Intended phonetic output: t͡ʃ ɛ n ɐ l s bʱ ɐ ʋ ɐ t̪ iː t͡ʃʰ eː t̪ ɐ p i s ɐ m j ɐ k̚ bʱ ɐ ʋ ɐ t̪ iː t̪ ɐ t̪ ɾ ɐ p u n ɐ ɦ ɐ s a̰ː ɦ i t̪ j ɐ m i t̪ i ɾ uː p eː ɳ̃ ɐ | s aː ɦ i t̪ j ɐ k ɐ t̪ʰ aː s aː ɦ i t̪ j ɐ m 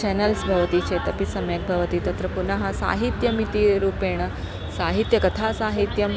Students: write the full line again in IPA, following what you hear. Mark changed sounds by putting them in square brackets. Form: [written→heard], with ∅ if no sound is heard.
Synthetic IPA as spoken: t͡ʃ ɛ n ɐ l s bʱ ɐ ʋ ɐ t̪ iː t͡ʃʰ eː t̪ ɐ p i s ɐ m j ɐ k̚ bʱ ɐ ʋ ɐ t̪ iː t̪ ɐ t̪ ɾ ɐ p u n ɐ ɦ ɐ s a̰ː ɦ i t̪ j ɐ m i t̪ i ɾ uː p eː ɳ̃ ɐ | s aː ɦ i t̪ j ɐ k ɐ t̪ʰ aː s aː ɦ i t̪ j ɐ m